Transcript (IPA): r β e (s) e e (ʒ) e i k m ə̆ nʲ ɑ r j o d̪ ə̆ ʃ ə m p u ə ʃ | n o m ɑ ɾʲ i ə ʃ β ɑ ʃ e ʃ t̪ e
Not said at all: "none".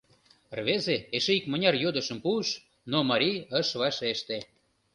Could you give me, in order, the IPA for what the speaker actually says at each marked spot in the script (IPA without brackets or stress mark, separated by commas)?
z, ʃ